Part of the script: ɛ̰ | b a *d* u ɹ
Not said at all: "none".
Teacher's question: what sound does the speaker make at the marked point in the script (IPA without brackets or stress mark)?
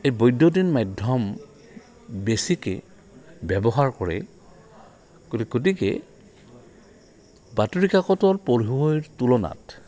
t